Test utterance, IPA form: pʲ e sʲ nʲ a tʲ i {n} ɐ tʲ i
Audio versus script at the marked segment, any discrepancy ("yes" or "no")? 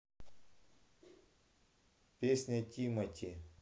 yes